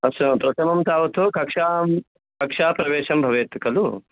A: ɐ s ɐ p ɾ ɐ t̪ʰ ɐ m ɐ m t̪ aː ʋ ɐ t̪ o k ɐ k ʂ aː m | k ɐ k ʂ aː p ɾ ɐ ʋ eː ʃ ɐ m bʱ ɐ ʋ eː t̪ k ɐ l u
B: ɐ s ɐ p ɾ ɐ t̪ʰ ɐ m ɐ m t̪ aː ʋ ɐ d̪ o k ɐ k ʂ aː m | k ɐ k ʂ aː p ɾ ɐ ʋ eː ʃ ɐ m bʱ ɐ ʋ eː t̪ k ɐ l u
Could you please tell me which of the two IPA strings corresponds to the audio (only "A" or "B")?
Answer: A